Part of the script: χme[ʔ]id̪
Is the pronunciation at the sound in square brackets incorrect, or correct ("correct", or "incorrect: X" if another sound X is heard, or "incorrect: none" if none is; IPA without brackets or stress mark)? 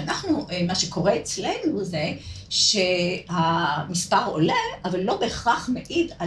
correct